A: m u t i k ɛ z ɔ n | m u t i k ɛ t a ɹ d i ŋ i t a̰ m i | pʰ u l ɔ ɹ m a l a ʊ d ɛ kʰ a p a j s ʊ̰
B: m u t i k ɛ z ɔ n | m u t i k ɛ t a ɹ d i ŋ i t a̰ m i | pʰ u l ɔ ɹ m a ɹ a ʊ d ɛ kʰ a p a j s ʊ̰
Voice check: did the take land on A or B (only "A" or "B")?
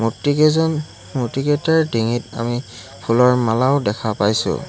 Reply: A